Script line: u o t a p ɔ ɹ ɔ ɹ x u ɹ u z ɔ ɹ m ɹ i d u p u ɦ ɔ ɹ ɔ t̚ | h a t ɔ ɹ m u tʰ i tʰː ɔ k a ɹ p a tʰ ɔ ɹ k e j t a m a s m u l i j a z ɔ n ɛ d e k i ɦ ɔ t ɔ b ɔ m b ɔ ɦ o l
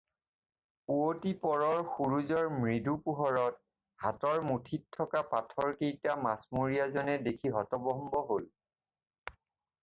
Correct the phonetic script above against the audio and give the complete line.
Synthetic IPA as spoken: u o t i p ɔ ɹ ɔ ɹ x u ɹ u z ɔ ɹ m ɹ i d u p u ɦ ɔ ɹ ɔ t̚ | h a t ɔ ɹ m u tʰ i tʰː ɔ k a p a tʰ ɔ ɹ k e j t a m a s m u ɹ i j a z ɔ n ɛ d e kʰ i ɦ ɔ t ɔ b ɔ m b ɔ ɦ o l